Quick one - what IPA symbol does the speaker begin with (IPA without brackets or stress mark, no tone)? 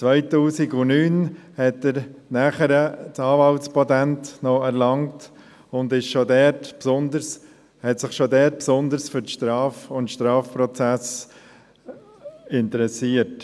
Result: t͡s